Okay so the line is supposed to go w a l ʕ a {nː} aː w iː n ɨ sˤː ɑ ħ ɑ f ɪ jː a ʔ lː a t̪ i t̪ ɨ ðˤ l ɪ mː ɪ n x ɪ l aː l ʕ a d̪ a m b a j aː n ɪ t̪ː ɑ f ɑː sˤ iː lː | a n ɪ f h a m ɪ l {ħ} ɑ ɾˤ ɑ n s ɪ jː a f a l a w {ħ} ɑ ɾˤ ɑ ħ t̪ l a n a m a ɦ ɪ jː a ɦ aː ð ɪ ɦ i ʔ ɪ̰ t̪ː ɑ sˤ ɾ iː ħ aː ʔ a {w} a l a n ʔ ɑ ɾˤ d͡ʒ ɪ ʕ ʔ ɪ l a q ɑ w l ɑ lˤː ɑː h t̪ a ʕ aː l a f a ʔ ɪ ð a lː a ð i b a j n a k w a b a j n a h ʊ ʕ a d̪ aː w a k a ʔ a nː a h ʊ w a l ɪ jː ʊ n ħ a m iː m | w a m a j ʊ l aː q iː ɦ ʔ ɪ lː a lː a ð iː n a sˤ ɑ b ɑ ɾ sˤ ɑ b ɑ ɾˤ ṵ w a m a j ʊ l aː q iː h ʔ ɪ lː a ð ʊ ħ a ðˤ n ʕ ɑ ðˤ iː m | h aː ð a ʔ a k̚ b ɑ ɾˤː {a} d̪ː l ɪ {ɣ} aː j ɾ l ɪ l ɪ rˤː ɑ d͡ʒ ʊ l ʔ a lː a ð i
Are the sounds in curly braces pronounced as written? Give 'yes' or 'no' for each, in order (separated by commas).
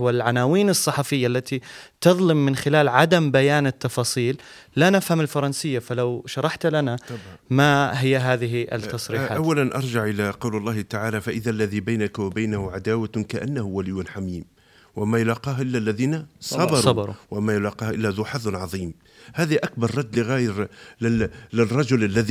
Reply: no, no, no, no, no, yes